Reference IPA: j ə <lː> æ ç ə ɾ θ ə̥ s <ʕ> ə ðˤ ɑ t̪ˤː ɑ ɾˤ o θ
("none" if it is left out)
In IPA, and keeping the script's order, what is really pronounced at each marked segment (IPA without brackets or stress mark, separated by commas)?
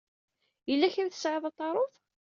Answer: lː, ʕ